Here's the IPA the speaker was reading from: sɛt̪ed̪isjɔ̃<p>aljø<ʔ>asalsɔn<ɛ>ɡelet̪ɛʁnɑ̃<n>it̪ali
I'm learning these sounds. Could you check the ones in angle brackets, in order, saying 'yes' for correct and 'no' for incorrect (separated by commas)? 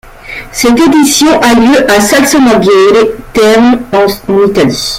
no, yes, no, yes